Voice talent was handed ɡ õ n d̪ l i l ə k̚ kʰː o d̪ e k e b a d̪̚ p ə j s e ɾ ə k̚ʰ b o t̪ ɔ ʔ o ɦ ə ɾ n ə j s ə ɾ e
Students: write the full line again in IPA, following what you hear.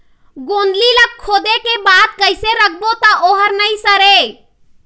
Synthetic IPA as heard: ɡ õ n d̪ l i l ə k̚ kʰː o d̪ e k e b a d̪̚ k ə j s e ɾ ə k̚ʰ b o t̪ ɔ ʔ o ɦ ə ɾ n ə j s ə ɾ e